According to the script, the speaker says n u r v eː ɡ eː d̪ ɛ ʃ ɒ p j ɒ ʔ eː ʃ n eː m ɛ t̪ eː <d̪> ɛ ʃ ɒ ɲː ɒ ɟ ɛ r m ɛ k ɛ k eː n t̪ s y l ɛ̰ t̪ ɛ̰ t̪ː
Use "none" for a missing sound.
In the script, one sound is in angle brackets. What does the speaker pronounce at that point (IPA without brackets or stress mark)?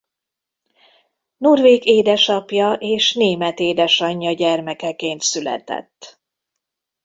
d̪